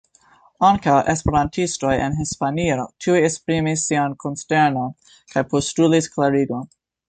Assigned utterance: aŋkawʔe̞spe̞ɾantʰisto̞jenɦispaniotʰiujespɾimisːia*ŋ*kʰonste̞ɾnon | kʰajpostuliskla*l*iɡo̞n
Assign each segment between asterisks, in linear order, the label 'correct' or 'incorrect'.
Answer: incorrect: n, incorrect: ɾ

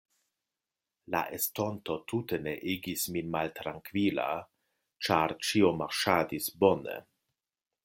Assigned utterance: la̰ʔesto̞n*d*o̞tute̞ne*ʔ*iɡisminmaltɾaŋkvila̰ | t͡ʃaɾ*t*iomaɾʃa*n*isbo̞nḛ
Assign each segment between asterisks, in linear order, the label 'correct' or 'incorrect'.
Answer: incorrect: t, correct, incorrect: t͡ʃ, incorrect: d

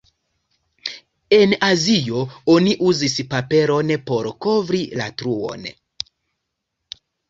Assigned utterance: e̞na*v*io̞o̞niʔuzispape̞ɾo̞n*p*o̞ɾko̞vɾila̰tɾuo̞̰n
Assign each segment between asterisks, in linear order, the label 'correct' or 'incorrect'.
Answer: incorrect: z, correct

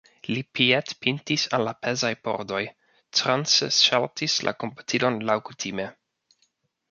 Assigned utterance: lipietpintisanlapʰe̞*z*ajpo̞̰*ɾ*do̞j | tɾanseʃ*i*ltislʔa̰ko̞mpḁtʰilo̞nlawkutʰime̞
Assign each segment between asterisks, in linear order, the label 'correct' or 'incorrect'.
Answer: correct, correct, incorrect: a

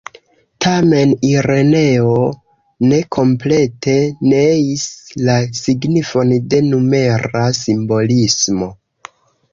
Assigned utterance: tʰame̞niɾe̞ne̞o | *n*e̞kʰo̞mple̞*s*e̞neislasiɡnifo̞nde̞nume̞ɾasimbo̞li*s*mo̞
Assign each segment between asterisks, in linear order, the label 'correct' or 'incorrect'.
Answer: correct, incorrect: t, correct

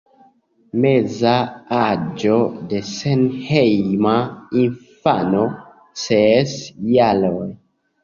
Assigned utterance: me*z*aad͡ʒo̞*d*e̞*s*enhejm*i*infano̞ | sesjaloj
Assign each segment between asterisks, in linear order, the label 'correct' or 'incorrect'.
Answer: correct, correct, correct, incorrect: a

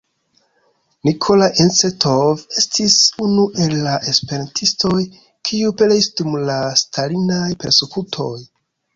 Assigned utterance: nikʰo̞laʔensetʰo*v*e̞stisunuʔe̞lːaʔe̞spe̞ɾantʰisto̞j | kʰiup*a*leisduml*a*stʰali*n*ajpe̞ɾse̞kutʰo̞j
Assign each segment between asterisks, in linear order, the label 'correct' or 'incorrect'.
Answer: correct, incorrect: e, correct, correct

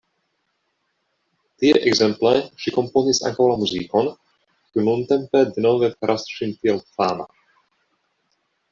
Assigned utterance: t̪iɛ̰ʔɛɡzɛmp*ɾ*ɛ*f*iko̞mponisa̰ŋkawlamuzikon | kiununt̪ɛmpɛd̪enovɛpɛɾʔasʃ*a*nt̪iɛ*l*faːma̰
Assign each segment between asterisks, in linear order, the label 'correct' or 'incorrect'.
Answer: incorrect: l, incorrect: ʃ, incorrect: i, correct

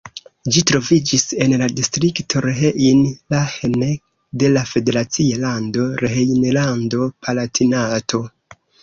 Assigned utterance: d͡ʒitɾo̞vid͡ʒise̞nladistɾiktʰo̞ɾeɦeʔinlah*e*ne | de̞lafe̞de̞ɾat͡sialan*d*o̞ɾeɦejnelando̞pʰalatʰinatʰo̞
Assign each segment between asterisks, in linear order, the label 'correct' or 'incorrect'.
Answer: correct, correct

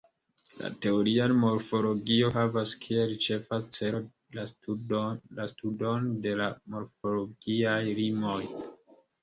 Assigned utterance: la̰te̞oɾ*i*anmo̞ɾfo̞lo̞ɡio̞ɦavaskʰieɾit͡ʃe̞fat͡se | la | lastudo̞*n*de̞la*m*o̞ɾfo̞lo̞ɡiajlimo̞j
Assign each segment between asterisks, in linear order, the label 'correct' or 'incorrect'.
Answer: correct, correct, correct

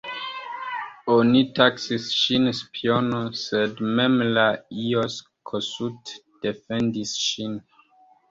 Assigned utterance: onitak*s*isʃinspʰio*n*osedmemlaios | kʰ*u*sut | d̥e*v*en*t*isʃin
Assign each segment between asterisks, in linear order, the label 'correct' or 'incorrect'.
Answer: correct, correct, incorrect: o, incorrect: f, incorrect: d

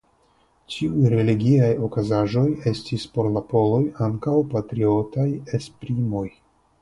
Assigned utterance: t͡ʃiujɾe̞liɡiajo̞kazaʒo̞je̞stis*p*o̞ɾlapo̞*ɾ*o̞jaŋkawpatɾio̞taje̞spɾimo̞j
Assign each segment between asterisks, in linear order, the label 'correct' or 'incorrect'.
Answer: correct, incorrect: l

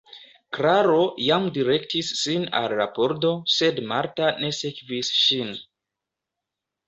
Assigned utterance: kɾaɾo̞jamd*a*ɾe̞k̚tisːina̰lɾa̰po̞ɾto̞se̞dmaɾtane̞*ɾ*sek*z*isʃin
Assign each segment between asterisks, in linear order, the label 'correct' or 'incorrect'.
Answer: incorrect: i, incorrect: none, incorrect: v

